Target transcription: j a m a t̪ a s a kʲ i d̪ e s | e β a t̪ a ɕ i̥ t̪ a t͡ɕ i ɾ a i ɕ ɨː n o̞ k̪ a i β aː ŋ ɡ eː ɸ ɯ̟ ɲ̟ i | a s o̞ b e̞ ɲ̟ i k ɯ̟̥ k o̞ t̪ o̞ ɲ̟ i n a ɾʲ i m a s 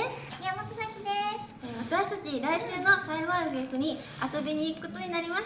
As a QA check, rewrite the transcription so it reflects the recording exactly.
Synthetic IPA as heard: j a m a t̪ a s a kʲ i d̪ e s | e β a t̪ a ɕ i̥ t̪ a t͡ɕ i ɾ a i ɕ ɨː n o̞ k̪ a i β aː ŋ ɡ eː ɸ ɯ̟ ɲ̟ i | a s o̞ b e̞ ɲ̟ iː k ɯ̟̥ k o̞ t̪ o̞ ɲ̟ i n a ɾʲ i m a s